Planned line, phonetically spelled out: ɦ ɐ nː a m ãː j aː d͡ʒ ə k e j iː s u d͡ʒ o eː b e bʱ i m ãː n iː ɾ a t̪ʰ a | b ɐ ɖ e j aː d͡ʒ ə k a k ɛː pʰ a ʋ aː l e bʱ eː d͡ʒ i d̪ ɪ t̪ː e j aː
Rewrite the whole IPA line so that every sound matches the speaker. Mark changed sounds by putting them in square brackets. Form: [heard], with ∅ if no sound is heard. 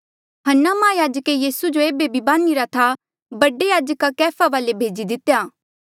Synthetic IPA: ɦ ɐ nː a m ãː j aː d͡ʒ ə k e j iː s u d͡ʒ o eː b e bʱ i [b] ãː n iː ɾ a t̪ʰ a | b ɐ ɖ e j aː d͡ʒ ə k a k ɛː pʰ a ʋ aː l e bʱ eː d͡ʒ i d̪ ɪ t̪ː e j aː